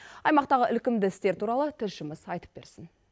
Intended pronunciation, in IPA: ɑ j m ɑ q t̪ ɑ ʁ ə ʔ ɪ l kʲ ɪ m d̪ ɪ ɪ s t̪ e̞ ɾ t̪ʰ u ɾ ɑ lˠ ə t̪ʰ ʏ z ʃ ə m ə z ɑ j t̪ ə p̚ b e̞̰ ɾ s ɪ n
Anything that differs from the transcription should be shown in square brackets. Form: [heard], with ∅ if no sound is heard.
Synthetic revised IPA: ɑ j m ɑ q t̪ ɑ ʁ ə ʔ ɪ l kʲ ɪ m d̪ ɪ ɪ s t̪ e̞ ɾ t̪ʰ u ɾ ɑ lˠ ə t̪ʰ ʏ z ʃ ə m ə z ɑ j t̪ ə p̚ b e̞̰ ɾ s ɪ n